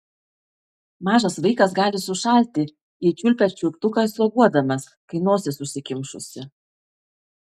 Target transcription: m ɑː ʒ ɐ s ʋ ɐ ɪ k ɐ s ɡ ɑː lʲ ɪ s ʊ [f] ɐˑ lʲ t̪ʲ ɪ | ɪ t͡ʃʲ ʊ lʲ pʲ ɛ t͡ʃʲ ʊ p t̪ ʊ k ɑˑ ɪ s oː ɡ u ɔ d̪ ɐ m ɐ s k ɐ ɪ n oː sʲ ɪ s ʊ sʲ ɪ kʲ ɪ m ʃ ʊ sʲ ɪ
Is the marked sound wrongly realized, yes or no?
yes